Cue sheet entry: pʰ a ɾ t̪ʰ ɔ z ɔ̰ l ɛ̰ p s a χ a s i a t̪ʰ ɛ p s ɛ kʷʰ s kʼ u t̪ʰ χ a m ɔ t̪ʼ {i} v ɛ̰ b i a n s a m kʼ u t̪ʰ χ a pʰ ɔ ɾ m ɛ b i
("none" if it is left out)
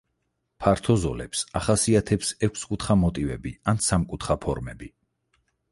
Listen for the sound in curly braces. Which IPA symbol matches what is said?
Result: i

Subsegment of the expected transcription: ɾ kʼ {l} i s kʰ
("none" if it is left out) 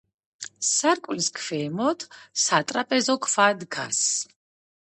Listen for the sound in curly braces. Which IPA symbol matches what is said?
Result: l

